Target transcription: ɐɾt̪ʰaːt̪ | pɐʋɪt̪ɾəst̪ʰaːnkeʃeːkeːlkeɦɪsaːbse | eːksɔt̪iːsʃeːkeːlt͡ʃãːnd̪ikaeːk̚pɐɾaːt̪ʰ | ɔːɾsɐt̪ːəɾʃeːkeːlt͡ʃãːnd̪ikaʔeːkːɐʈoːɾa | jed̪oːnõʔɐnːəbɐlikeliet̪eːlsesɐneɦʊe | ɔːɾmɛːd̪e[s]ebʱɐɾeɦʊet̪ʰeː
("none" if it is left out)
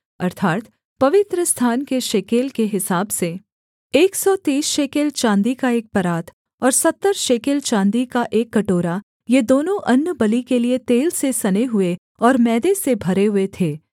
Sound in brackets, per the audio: s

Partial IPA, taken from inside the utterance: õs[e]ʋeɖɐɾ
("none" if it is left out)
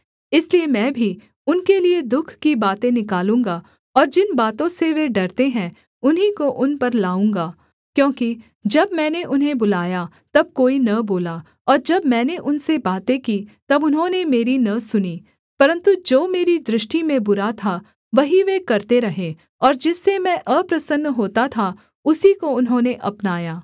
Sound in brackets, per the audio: e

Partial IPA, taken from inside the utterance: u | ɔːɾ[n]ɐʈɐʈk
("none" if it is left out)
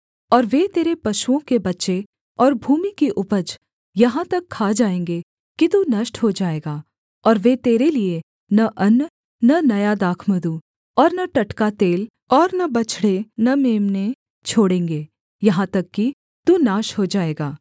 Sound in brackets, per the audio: n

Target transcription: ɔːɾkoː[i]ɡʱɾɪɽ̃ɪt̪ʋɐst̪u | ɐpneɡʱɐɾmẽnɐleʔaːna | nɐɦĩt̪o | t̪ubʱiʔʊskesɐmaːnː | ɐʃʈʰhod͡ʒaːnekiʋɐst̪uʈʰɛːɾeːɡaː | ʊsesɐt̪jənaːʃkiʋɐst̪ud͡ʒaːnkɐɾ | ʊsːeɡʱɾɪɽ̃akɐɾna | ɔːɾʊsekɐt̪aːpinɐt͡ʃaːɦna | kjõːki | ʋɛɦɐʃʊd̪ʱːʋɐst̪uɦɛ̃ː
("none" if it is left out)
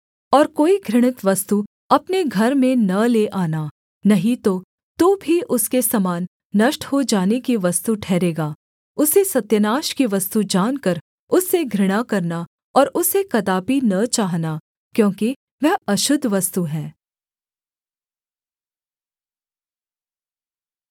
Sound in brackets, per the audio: i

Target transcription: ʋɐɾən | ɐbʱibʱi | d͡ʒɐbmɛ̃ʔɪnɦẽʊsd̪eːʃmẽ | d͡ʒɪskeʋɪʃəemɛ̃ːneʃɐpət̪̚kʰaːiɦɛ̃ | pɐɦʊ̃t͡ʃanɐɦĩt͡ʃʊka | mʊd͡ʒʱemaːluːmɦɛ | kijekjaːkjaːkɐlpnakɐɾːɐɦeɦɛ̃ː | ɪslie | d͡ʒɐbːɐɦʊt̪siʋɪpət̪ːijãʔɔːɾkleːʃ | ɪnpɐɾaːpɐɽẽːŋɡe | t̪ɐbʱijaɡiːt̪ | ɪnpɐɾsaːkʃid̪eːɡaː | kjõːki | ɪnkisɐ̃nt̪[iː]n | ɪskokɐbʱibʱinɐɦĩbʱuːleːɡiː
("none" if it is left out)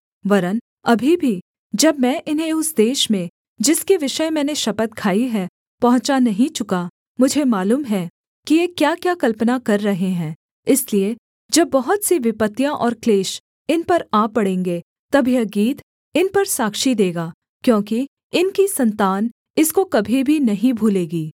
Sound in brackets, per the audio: aː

